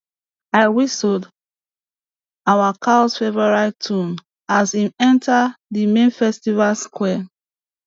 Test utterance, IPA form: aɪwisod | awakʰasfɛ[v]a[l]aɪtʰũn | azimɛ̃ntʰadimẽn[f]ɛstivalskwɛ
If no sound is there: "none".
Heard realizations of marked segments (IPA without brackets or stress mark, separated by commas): v, ɹ, f